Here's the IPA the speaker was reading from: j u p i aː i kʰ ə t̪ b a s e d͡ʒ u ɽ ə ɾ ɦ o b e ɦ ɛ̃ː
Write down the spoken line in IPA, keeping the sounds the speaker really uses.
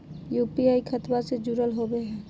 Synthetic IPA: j u p i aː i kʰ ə t̪ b a s e d͡ʒ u ɾ ə l ɦ o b e ɦ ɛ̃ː